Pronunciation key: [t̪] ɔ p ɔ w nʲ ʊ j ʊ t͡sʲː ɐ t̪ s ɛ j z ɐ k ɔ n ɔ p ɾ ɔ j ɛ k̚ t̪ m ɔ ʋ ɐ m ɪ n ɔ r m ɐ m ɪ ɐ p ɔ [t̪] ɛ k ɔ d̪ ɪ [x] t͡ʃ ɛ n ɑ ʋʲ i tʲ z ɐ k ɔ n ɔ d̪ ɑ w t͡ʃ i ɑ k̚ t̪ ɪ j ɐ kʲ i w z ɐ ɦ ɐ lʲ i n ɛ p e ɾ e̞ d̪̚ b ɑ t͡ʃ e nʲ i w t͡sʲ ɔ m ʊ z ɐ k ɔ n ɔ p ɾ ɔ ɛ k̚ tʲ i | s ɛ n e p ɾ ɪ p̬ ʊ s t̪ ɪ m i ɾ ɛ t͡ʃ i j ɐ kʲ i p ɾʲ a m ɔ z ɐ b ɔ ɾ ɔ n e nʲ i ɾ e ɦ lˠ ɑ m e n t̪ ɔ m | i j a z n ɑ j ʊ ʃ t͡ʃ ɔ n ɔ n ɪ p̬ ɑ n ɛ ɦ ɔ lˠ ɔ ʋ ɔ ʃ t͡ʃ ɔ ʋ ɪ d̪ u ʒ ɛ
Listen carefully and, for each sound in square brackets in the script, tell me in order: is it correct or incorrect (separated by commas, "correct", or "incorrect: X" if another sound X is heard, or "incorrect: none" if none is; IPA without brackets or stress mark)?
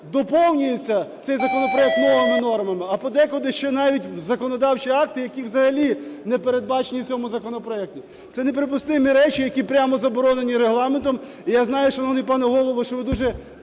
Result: incorrect: d̪, incorrect: d̪, incorrect: ʃ